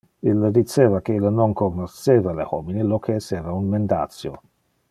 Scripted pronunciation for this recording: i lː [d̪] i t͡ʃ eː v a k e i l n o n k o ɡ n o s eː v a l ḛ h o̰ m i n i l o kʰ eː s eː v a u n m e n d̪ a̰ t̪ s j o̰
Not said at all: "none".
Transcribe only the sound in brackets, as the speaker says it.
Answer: d̪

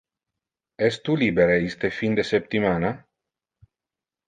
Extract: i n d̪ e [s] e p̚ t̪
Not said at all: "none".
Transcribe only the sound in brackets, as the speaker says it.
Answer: s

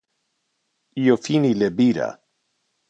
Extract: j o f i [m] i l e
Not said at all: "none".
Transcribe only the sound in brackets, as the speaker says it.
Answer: n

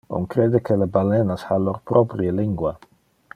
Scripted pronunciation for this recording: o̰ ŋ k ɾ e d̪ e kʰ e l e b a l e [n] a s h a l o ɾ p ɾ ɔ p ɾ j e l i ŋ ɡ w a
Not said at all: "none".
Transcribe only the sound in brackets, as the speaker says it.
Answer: n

